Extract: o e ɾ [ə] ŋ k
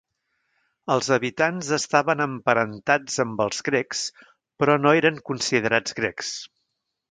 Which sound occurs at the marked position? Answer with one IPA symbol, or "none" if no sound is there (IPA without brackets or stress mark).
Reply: ə